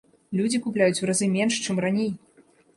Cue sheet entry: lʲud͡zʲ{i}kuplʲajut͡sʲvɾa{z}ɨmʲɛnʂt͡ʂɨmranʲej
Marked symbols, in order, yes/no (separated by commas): yes, yes